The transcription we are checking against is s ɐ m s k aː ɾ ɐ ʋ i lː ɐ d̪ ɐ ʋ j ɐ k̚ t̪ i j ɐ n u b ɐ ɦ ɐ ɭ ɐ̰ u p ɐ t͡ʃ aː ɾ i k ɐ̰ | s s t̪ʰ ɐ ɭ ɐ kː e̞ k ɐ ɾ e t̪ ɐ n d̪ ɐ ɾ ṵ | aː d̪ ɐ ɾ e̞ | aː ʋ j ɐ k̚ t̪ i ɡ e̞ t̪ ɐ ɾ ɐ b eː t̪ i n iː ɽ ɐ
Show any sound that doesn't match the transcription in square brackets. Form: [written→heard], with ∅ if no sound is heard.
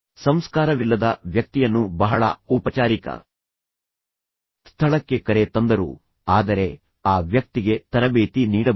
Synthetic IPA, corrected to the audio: s ɐ m s k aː ɾ ɐ ʋ i lː ɐ d̪ ɐ ʋ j ɐ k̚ t̪ i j ɐ [n→nː] u b ɐ ɦ ɐ ɭ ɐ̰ u p ɐ t͡ʃ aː ɾ i k ɐ̰ | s s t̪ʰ ɐ ɭ ɐ kː e̞ k ɐ ɾ e t̪ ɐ n d̪ ɐ ɾ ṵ | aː d̪ ɐ ɾ e̞ | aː ʋ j ɐ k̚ t̪ i ɡ e̞ t̪ ɐ ɾ ɐ b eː t̪ i n iː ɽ ɐ